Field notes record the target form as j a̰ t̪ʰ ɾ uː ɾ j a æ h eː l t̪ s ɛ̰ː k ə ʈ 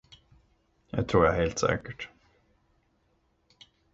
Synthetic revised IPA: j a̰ t̪ʰ ɾ uː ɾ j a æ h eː l t̪ s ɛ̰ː k ə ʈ